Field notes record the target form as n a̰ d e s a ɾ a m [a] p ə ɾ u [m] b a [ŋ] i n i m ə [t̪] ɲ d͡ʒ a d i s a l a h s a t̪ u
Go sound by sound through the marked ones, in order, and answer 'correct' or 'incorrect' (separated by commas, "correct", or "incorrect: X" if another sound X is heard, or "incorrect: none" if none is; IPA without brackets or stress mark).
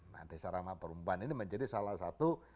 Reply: correct, correct, incorrect: n, incorrect: none